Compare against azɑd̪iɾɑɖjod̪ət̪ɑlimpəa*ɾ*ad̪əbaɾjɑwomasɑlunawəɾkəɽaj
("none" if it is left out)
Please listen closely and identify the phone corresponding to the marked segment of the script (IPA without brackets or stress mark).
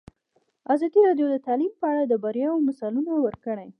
ɽ